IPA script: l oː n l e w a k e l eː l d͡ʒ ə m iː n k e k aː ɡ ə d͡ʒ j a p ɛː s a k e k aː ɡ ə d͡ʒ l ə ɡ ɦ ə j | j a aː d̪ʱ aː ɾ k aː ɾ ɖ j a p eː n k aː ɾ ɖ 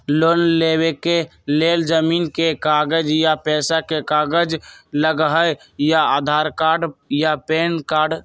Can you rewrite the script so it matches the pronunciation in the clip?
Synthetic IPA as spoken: l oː n l e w e k e l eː l d͡ʒ ə m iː n k e k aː ɡ ə d͡ʒ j a p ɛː s a k e k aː ɡ ə d͡ʒ l ə ɡ ɦ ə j | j a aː d̪ʱ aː ɾ k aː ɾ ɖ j a p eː n k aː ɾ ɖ